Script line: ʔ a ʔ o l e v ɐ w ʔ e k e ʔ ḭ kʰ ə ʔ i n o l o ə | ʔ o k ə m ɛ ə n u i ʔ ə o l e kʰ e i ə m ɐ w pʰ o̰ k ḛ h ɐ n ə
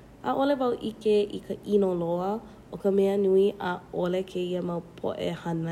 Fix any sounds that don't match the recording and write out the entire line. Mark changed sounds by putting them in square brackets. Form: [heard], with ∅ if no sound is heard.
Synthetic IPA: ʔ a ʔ o l e v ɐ w ʔ [i] k e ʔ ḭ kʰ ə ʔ i n o l o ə | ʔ o k ə m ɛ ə n u i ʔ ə o l e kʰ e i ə m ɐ w pʰ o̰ [ʔ] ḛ h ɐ n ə